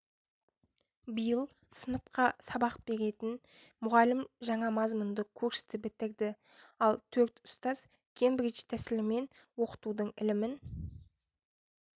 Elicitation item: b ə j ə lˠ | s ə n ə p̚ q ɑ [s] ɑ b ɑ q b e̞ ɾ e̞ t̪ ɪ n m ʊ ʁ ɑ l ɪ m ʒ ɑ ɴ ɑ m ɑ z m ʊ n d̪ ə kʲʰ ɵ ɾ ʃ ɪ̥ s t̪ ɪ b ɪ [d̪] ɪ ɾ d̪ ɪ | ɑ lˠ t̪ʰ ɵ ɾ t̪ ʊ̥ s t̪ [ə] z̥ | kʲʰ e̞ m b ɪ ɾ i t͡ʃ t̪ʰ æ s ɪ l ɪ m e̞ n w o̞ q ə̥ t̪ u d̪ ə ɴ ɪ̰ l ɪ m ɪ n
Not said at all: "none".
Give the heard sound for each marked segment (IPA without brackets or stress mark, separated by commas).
s, t̪, ɑ